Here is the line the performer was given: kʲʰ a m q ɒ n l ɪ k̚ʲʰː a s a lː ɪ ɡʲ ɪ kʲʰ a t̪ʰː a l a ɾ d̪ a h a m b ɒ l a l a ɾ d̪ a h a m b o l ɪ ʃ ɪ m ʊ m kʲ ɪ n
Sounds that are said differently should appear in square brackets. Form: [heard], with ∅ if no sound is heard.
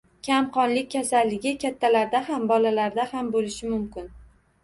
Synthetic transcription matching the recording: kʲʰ a m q ɒ n l ɪ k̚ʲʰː a s a lː ɪ ɡʲ ɪ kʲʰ a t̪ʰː a l a ɾ d̪ a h a m b ɒ l a l a ɾ d̪ a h a m b o l ɪ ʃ ɪ m ʊ m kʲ ɪ n